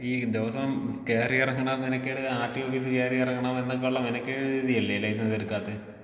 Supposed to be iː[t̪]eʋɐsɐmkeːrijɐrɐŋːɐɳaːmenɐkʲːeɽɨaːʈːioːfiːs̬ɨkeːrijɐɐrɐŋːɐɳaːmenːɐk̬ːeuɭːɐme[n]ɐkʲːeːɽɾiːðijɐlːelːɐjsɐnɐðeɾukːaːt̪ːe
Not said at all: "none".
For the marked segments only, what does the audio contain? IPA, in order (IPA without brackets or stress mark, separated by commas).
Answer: d̪, n